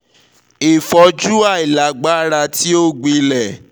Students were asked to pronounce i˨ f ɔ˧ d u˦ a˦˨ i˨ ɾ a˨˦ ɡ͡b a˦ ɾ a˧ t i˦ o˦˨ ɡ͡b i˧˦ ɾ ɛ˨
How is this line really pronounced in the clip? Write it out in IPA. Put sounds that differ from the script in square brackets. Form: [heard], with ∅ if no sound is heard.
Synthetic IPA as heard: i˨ f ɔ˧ [d͡ʒ] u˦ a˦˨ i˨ [l] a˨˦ ɡ͡b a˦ ɾ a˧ t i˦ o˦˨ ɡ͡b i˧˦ [l] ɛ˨